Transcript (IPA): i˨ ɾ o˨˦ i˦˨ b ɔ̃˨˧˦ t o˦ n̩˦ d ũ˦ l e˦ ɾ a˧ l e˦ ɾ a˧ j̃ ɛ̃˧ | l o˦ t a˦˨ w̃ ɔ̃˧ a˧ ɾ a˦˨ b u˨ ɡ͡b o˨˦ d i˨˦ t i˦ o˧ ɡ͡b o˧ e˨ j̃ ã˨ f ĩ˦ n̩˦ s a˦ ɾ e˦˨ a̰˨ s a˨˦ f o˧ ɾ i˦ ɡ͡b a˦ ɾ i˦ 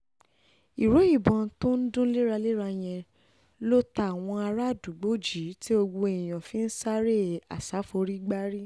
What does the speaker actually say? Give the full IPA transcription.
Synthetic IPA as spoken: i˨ ɾ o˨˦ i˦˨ b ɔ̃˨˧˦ t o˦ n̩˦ d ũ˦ l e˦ ɾ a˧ l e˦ ɾ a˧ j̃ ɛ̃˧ | l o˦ t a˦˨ w̃ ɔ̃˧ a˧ ɾ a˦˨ d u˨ ɡ͡b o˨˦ d͡ʒ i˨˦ t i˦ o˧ ɡ͡b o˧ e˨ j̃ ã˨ f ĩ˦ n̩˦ s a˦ ɾ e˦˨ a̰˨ s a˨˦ f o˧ ɾ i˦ ɡ͡b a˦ ɾ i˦